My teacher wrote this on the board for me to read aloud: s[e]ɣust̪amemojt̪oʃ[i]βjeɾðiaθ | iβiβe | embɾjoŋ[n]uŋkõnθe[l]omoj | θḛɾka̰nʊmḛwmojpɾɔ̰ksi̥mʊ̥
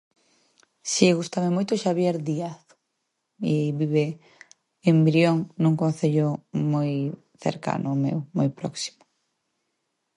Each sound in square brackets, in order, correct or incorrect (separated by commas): incorrect, incorrect, correct, incorrect